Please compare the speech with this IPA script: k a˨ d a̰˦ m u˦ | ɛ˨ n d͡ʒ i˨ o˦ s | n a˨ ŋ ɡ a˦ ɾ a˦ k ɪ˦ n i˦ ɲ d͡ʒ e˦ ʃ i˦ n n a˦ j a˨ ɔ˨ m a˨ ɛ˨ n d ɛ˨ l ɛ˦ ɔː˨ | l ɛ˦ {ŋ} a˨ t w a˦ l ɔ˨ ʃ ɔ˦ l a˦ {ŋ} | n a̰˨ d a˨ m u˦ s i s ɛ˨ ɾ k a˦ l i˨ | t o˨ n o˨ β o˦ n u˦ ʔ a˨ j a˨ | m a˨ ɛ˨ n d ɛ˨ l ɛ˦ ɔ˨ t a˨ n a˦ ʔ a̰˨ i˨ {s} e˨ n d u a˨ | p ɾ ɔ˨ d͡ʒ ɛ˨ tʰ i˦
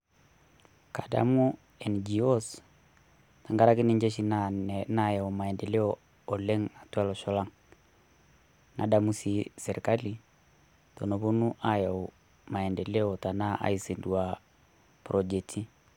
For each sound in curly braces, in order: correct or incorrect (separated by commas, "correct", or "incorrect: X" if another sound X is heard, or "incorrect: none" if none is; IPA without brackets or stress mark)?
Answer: correct, correct, correct